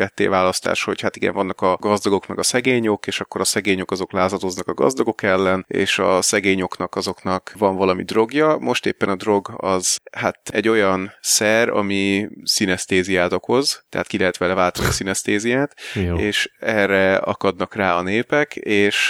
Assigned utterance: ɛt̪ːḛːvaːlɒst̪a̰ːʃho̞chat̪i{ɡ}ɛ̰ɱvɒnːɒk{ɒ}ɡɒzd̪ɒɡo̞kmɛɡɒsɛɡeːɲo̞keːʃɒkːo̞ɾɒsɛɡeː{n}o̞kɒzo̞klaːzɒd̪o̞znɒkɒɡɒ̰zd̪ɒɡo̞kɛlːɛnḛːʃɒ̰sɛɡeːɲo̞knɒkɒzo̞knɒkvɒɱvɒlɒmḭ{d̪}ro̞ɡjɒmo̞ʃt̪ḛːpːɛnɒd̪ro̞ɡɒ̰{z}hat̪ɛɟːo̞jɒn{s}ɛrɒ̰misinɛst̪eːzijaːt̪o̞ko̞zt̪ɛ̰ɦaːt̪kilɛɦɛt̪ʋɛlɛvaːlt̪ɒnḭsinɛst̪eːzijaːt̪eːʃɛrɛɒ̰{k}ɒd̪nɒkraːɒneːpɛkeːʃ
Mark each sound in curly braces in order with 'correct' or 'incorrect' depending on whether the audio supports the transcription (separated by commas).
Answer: correct, correct, incorrect, correct, correct, correct, correct